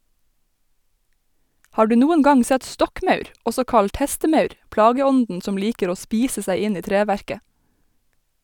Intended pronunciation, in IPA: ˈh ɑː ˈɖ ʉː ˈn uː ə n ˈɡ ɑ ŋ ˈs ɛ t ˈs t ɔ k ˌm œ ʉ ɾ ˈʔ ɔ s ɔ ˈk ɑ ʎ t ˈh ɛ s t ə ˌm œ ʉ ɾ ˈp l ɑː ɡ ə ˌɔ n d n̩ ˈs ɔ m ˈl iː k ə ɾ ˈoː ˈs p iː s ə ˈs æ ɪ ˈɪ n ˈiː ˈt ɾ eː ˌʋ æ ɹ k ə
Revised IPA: ˈh ɑː ˈɖ ʉː ˈn uː ə n ˈɡ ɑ ŋ ˈs ɛ t ˈs t ɔ k ˌm œ ʉ ɾ ˈʔ ɔ s ɔ ˈk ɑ ʎ t ˈh ɛ s t ə ˌm œ ʉ ɾ ˈp l ɑː ɡ ə ˌɔ n d n̩ ˈs ɔ m ˈl iː k ə ɾ ˈoː ˈs p iː s ə ˈs æ ɪ ˈɪ n ˈiː ˈt ɾ eː ˌʋ æ ɹ k ə